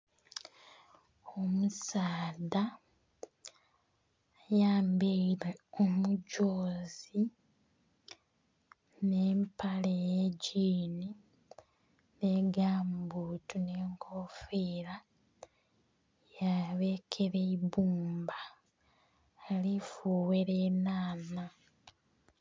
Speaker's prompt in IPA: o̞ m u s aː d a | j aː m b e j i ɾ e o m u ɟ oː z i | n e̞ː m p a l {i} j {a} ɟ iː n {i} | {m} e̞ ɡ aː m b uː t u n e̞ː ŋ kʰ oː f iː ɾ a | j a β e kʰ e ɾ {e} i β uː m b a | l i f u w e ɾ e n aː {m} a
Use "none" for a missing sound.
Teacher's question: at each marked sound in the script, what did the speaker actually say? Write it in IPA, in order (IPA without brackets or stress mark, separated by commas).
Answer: e, e, i, n, e, n